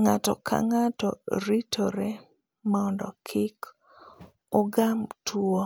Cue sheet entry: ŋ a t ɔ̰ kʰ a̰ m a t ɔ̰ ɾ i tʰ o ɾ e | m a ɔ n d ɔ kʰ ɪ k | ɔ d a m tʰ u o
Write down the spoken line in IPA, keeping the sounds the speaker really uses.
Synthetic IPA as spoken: ŋ a t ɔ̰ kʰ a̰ ŋ a t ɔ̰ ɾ i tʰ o ɾ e | m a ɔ n d ɔ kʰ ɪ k | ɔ ɡ a m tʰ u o